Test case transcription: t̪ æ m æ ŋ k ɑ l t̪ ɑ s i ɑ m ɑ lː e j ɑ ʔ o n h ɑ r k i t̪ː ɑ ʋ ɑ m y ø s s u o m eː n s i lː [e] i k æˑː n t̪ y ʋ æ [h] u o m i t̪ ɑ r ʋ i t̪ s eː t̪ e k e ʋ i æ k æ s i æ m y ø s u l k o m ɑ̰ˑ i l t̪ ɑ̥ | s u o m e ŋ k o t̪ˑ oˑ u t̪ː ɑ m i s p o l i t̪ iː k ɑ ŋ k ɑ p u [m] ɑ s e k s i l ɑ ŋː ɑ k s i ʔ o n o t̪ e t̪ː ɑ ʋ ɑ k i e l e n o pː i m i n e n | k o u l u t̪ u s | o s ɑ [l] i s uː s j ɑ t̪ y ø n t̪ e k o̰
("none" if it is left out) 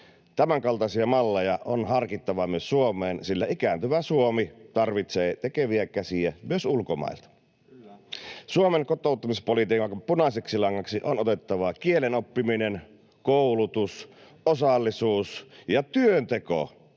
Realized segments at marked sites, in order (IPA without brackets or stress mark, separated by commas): æ, s, n, lː